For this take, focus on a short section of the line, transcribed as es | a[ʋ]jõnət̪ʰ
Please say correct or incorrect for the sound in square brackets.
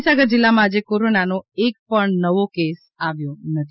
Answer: correct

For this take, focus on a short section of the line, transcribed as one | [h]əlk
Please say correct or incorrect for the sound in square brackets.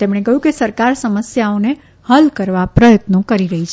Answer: correct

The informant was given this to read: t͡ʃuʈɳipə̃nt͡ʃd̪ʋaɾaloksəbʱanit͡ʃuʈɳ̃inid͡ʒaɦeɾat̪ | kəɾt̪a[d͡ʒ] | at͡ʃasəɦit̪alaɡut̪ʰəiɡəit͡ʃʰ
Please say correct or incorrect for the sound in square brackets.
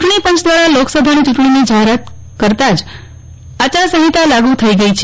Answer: correct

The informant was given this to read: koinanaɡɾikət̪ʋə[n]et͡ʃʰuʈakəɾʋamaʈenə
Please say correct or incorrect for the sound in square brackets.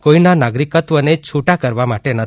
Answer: correct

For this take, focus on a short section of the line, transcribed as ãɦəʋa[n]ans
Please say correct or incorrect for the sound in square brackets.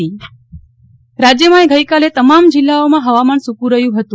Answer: incorrect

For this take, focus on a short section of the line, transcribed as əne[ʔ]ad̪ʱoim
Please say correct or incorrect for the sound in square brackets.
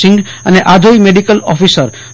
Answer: correct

